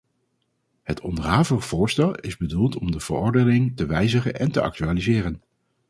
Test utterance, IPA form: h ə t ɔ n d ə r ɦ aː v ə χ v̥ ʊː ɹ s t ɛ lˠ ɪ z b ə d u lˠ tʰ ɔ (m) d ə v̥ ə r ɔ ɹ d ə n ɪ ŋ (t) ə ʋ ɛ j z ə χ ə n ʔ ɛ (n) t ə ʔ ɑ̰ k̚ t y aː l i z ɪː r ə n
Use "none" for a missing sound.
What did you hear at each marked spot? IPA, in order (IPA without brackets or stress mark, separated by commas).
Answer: m, t, n